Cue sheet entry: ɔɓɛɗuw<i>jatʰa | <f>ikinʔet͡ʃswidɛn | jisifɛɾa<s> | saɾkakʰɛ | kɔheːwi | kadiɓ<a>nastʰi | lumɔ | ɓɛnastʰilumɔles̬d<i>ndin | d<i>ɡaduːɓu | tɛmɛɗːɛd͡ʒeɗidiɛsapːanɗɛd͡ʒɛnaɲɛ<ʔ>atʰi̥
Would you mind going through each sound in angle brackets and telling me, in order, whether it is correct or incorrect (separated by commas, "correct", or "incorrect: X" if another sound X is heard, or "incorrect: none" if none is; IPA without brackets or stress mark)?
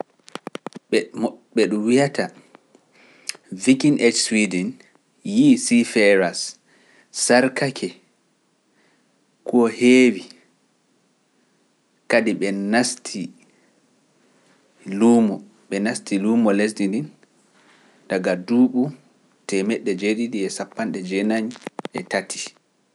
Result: correct, incorrect: v, correct, incorrect: ɛ, correct, incorrect: a, incorrect: t